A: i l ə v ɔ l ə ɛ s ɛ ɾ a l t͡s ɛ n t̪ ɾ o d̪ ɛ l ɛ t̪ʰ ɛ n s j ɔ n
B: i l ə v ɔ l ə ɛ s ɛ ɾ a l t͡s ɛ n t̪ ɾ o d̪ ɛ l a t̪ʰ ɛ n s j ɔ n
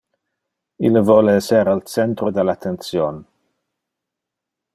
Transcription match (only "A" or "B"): B